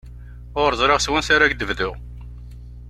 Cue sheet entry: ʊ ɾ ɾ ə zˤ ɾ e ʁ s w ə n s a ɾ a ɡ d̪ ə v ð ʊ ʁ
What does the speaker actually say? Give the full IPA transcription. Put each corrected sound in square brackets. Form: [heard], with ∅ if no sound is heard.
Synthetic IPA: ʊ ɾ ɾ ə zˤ ɾ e ʁ s w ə n s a ɾ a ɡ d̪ ə v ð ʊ ʁ

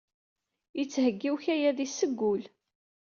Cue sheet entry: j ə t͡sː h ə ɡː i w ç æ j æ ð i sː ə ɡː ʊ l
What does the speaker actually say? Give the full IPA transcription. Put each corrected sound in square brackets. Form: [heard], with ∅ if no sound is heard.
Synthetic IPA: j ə t͡sː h ə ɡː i w ç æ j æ ð i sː ə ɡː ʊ l

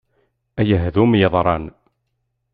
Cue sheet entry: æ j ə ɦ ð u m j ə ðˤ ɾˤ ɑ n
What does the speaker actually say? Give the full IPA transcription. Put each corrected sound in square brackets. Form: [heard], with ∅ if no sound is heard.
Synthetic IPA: æ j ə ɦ ð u m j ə ðˤ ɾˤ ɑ n

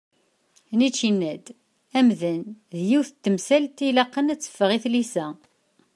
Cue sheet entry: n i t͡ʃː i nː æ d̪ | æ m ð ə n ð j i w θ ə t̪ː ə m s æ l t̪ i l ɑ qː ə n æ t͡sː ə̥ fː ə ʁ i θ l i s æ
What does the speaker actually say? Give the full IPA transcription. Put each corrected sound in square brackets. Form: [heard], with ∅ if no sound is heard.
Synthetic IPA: n i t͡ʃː i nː æ d̪ | æ m ð ə n ð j i w θ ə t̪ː ə m s æ l t̪ i l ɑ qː ə n æ t͡sː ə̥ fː ə ʁ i θ l i s æ

